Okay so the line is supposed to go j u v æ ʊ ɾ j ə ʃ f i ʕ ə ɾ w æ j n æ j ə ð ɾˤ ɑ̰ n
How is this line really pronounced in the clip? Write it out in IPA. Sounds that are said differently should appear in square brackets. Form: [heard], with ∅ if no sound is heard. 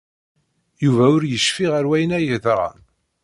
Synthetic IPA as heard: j u v æ ʊ ɾ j ə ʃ f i [ʁ] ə ɾ w æ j n æ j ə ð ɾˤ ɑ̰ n